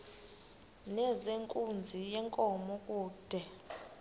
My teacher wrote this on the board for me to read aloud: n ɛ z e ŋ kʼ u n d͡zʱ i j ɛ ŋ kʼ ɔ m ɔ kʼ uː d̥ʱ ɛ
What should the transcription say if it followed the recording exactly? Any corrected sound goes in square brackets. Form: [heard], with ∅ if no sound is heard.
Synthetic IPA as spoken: n ɛ z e ŋ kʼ u n d͡zʱ i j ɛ ŋ kʼ ɔ m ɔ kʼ uː d̥ʱ ɛ